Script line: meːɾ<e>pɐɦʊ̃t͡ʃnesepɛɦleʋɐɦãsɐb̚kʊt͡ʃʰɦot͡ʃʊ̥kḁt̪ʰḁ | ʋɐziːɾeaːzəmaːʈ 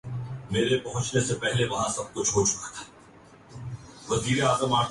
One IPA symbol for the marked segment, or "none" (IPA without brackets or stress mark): e